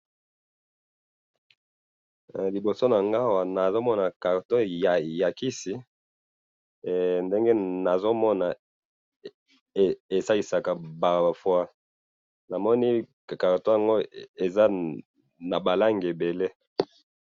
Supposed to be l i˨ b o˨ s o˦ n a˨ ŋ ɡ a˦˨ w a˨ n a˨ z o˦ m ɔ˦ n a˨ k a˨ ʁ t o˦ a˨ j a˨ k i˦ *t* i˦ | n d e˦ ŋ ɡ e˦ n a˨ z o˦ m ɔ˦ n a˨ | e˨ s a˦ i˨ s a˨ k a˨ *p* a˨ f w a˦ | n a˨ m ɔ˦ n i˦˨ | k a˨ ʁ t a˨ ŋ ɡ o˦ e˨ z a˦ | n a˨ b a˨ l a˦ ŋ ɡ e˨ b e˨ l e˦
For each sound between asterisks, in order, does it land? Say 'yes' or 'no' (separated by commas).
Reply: no, no